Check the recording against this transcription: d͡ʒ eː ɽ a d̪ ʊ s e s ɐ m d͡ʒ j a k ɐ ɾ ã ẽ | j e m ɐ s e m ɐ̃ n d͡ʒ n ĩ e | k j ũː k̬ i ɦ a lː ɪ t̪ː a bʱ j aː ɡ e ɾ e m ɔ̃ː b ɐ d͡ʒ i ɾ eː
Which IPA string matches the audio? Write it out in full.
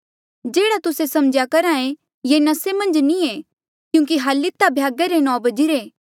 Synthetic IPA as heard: d͡ʒ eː ɽ a t̪ ʊ s e s ɐ m d͡ʒ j a k ɐ ɾ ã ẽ | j e n ɐ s e m ɐ̃ n d͡ʒ n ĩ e | k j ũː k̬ i ɦ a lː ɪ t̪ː a bʱ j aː ɡ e ɾ e n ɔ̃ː b ɐ d͡ʒ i ɾ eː

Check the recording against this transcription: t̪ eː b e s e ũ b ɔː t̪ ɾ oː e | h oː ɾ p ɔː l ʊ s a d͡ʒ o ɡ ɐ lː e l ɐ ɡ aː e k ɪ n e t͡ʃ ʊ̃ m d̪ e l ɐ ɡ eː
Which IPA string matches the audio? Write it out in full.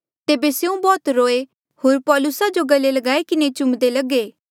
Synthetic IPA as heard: t̪ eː b e s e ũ b ɔː t̪ ɾ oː e | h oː ɾ p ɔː l ʊ s a d͡ʒ o ɡ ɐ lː e l ɐ ɡ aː e k ɪ n e t͡ʃ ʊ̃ m d̪ e l ɐ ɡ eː

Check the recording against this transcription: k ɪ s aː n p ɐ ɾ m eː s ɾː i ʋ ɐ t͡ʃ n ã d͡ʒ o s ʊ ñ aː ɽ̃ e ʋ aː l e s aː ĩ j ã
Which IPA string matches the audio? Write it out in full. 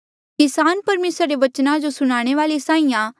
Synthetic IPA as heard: k ɪ s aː n p ɐ ɾ m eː s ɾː e ʋ ɐ t͡ʃ n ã d͡ʒ o s ʊ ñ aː ɽ̃ e ʋ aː l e s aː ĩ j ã

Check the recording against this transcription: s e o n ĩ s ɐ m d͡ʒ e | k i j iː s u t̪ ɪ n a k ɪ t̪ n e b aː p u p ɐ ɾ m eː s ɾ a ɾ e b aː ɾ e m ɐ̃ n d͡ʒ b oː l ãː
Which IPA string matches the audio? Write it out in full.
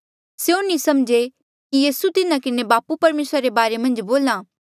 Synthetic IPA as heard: s e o n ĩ s ɐ m d͡ʒ e | k i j iː s u t̪ ɪ n a k ɪ n e b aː p u p ɐ ɾ m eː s ɾ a ɾ e b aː ɾ e m ɐ̃ n d͡ʒ b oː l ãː

